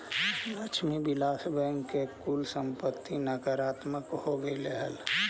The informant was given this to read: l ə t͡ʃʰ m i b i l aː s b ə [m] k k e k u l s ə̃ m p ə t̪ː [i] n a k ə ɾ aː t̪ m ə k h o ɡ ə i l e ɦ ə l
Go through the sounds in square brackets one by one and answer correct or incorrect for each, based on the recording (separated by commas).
incorrect, correct